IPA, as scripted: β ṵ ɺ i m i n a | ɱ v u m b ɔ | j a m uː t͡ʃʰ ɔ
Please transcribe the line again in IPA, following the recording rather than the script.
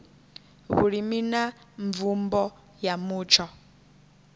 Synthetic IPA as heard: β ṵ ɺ i m i n a | ɱ v u m b ɔ | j a m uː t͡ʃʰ ɔ